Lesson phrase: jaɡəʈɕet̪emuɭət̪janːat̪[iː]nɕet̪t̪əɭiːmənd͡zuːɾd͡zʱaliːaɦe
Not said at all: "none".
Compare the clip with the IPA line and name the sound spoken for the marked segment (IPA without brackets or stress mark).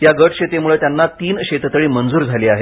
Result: iː